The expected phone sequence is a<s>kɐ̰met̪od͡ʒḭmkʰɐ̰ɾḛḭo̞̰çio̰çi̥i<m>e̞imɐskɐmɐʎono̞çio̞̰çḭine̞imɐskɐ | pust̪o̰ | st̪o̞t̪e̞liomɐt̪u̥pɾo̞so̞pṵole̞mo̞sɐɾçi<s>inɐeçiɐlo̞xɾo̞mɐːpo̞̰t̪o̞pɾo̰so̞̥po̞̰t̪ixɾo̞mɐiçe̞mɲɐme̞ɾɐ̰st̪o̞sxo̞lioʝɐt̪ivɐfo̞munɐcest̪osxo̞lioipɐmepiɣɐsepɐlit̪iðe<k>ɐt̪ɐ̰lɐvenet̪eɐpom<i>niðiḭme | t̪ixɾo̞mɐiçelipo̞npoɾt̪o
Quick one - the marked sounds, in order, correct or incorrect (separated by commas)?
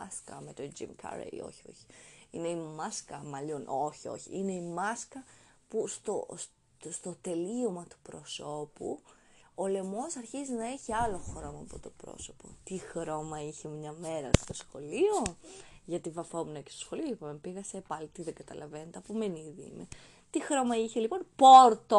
correct, incorrect, incorrect, incorrect, incorrect